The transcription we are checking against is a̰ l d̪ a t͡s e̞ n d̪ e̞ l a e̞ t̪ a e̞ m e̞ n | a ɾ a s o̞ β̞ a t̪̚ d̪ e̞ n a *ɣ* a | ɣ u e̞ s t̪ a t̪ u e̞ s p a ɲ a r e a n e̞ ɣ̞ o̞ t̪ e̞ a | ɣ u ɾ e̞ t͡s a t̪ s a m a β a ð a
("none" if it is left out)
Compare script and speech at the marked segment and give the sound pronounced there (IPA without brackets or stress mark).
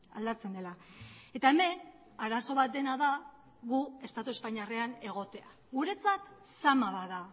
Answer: ð